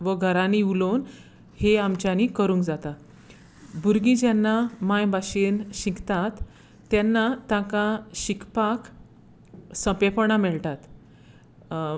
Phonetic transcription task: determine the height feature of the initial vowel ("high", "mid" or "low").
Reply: mid